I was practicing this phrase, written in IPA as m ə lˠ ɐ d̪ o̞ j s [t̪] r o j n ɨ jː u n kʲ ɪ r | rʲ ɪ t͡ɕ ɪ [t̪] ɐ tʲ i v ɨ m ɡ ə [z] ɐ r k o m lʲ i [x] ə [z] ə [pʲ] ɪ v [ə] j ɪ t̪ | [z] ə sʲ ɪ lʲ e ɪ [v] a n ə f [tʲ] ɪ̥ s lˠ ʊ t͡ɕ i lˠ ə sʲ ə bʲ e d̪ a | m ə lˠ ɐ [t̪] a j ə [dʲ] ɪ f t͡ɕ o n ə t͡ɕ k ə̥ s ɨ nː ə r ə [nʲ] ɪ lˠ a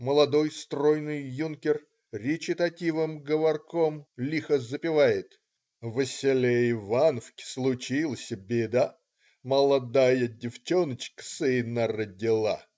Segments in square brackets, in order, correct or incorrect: correct, correct, incorrect: v, correct, correct, correct, incorrect: a, incorrect: v, correct, incorrect: kʲ, incorrect: d̪, correct, incorrect: dʲ

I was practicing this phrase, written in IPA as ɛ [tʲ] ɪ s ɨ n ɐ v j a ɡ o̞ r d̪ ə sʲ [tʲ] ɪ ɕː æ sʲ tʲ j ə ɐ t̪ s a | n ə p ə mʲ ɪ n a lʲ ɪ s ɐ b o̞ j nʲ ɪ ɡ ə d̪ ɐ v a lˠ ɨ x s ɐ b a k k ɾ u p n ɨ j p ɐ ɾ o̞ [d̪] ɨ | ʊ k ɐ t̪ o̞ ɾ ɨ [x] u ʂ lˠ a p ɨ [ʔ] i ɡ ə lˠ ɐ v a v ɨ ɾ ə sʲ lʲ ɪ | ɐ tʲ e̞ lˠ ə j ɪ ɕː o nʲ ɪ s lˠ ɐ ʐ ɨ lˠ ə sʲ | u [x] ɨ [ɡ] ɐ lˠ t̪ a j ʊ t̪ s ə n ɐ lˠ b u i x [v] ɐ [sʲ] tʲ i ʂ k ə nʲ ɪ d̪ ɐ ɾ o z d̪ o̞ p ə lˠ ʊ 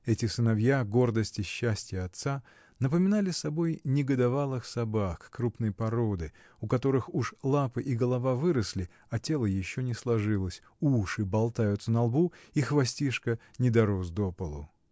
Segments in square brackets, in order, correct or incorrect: correct, correct, correct, correct, correct, incorrect: ʂ, incorrect: b, correct, correct

